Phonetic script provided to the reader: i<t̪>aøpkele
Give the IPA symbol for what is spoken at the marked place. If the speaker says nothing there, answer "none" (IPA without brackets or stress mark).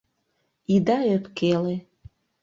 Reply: d̪